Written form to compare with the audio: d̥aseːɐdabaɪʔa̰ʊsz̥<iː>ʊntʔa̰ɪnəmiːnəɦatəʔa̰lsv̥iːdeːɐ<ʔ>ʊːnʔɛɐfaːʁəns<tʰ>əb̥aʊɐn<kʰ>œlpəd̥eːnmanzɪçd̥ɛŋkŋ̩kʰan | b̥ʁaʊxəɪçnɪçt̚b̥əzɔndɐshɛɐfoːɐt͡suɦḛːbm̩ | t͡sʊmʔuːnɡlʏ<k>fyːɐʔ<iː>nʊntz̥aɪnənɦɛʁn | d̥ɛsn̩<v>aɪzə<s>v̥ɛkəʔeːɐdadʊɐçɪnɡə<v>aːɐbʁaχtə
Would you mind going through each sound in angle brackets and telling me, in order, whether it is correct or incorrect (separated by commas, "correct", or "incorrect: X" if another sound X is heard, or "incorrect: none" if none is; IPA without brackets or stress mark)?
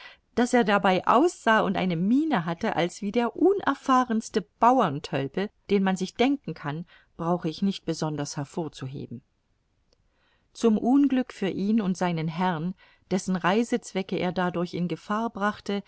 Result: incorrect: aː, correct, incorrect: t, incorrect: tʰ, correct, correct, incorrect: ʁ, incorrect: t͡s, incorrect: f